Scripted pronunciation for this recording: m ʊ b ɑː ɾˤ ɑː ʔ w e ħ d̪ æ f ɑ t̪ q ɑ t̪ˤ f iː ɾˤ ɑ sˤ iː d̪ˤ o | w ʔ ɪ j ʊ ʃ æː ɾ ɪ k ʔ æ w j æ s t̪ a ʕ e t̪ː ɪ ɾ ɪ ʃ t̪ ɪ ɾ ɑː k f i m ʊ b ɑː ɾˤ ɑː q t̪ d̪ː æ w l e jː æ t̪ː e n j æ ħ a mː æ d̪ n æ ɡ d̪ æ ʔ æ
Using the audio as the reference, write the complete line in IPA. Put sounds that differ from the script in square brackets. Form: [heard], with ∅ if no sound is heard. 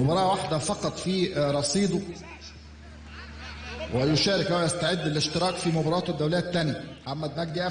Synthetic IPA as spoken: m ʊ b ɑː ɾˤ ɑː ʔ w [a] ħ d̪ æ f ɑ [∅] q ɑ t̪ˤ f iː ɾˤ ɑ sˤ iː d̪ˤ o | w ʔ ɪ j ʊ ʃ æː ɾ ɪ k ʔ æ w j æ s t̪ a ʕ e [d̪ː] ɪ [l] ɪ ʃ t̪ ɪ ɾ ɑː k f i m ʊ b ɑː ɾˤ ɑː [∅] t̪ d̪ː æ w l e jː æ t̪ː [æ] n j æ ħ a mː æ d̪ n æ ɡ d̪ [i] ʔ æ